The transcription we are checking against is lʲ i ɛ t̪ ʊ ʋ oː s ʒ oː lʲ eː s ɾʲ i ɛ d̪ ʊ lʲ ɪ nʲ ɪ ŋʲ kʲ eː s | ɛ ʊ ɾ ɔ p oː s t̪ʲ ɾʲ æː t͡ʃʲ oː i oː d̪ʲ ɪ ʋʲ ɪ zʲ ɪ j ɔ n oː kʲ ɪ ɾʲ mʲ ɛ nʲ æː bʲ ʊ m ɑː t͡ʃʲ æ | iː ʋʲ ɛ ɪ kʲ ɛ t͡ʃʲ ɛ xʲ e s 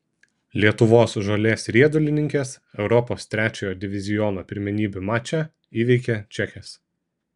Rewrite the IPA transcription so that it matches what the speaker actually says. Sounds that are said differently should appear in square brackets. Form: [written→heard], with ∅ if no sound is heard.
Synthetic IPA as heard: lʲ i ɛ t̪ ʊ ʋ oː s ʒ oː lʲ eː s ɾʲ i ɛ d̪ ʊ lʲ ɪ nʲ ɪ ŋʲ kʲ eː s | ɛ ʊ ɾ ɔ p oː s t̪ʲ ɾʲ æː t͡ʃʲ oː [i→j] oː d̪ʲ ɪ ʋʲ ɪ zʲ ɪ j ɔ n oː [kʲ→pʲ] ɪ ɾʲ mʲ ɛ nʲ [æː→iː] bʲ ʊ m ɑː t͡ʃʲ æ | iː ʋʲ ɛ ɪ kʲ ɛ t͡ʃʲ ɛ xʲ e s

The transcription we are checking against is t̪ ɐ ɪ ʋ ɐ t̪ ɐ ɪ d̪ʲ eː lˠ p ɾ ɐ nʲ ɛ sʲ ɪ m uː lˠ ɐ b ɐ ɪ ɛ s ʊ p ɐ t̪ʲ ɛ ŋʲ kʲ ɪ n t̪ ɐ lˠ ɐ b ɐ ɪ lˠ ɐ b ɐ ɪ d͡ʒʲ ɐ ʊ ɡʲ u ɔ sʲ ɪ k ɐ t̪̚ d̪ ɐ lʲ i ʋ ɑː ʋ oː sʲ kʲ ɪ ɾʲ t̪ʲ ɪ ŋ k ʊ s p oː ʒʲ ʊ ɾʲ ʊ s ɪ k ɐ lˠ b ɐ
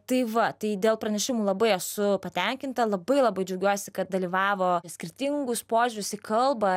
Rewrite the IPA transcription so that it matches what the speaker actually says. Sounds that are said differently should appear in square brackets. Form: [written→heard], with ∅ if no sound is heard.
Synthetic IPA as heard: t̪ ɐ ɪ ʋ ɐ t̪ ɐ ɪ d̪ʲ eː lˠ p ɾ ɐ nʲ ɛ [sʲ→ʃʲ] ɪ m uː lˠ ɐ b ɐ ɪ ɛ s ʊ p ɐ t̪ʲ ɛ ŋʲ kʲ ɪ n t̪ ɐ lˠ ɐ b ɐ ɪ lˠ ɐ b ɐ ɪ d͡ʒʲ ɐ ʊ ɡʲ u ɔ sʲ ɪ k ɐ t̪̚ d̪ ɐ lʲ i ʋ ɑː ʋ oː sʲ kʲ ɪ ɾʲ t̪ʲ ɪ ŋ [k→ɡ] ʊ s p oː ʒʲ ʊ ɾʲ ʊ s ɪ k ɐ lˠ b ɐ

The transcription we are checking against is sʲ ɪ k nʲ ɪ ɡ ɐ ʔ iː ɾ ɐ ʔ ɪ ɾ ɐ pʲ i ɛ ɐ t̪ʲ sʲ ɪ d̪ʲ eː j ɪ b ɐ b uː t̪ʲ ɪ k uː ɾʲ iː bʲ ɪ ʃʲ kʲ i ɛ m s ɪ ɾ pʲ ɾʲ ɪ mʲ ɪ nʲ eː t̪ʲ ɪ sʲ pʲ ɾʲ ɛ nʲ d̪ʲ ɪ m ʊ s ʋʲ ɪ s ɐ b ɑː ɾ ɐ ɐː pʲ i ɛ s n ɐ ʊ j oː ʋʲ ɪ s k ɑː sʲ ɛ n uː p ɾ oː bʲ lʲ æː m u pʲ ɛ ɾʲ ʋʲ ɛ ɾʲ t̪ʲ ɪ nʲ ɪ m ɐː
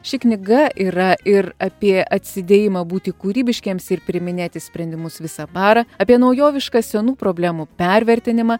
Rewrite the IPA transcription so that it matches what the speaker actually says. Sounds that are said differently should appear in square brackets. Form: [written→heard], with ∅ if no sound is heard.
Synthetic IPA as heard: [sʲ→ʃʲ] ɪ k nʲ ɪ ɡ ɐ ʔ iː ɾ ɐ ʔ ɪ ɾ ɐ pʲ i ɛ ɐ t̪ʲ sʲ ɪ d̪ʲ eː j ɪ [b→m] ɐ b uː t̪ʲ ɪ k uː ɾʲ iː bʲ ɪ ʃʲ kʲ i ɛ m s ɪ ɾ pʲ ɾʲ ɪ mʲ ɪ nʲ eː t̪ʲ ɪ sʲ pʲ ɾʲ ɛ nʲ d̪ʲ ɪ m ʊ s ʋʲ ɪ s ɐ b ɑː ɾ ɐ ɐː pʲ i ɛ [s→∅] n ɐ ʊ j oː ʋʲ ɪ [s→ʃ] k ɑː sʲ ɛ n uː p ɾ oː bʲ lʲ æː m u pʲ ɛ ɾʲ ʋʲ ɛ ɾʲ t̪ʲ ɪ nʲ ɪ m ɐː

